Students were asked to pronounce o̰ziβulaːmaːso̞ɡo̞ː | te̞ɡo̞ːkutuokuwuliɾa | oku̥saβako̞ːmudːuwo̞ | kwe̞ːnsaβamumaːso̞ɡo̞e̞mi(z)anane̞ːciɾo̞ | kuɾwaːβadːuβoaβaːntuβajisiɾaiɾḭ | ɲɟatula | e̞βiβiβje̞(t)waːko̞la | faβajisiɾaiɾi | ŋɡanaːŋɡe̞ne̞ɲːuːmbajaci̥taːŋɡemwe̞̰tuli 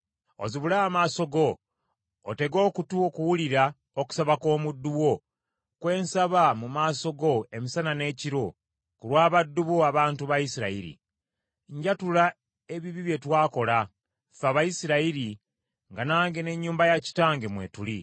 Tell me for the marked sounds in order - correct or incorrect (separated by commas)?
incorrect, correct